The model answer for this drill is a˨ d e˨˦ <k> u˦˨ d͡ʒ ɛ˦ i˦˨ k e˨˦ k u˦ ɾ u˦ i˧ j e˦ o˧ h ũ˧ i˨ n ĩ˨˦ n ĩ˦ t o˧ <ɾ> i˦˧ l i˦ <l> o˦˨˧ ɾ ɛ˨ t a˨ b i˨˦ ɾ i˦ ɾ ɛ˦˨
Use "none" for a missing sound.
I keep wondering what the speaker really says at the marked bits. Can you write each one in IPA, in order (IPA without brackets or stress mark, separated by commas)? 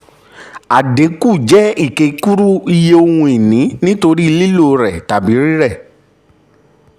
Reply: k, ɾ, l